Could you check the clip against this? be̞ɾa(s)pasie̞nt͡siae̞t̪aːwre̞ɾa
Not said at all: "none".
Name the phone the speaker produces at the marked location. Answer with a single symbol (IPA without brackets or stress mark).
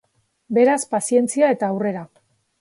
s